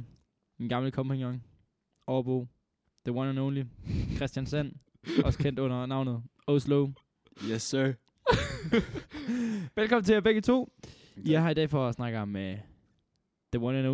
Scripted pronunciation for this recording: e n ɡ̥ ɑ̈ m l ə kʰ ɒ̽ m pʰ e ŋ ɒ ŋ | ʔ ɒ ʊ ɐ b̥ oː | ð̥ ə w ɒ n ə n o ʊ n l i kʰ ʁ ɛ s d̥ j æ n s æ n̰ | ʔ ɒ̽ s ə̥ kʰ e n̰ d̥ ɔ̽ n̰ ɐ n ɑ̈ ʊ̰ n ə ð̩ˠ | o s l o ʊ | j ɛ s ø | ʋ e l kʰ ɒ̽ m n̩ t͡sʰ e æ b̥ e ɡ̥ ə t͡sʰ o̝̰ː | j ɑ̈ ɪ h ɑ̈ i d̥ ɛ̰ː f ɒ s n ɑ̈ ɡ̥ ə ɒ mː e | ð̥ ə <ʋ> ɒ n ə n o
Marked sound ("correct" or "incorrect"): incorrect